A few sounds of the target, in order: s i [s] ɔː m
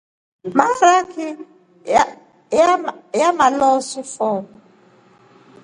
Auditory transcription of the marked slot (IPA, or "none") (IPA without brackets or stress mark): f